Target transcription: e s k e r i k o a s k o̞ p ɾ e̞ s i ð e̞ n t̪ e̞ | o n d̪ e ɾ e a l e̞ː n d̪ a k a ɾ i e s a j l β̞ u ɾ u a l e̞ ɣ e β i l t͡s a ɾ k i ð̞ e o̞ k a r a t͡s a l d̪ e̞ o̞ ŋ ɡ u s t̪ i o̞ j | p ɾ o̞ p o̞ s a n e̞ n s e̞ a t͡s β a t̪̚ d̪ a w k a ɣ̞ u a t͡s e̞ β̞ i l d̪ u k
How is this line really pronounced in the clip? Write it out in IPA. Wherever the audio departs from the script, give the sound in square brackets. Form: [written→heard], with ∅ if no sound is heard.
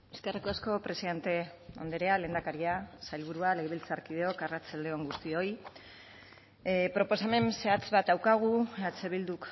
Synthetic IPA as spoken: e s k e r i k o a s k o̞ p ɾ e̞ s i ð e̞ n t̪ e̞ | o n d̪ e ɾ e a l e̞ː n d̪ a k a ɾ i [e→a] s a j l β̞ u ɾ u a l e̞ ɣ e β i l t͡s a ɾ k i ð̞ e o̞ k a r a t͡s a l d̪ e̞ o̞ ŋ ɡ u s t̪ i o̞ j | p ɾ o̞ p o̞ s a [n→m] e̞ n s e̞ a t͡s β a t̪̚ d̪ a w k a ɣ̞ u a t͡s e̞ β̞ i l d̪ u k